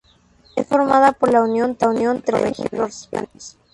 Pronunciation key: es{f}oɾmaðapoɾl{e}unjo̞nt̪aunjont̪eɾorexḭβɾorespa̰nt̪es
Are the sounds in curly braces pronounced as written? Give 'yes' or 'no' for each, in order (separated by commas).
yes, no